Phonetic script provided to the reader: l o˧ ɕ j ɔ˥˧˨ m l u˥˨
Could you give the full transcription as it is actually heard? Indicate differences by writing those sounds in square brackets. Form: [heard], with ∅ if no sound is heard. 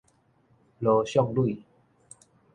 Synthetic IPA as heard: l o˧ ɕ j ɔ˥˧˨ [ŋ] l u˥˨